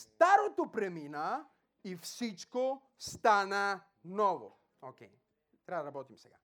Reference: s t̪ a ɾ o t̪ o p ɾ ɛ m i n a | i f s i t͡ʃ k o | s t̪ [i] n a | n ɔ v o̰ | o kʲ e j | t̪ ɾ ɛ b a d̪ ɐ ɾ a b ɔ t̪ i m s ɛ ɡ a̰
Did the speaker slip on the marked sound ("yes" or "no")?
yes